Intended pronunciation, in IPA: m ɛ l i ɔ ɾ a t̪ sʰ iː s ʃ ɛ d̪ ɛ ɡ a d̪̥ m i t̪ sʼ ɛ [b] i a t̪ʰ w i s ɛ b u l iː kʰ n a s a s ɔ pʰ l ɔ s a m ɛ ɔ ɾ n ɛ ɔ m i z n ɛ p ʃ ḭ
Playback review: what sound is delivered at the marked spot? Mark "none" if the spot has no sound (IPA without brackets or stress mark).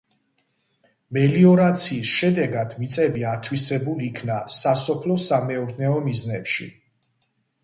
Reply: b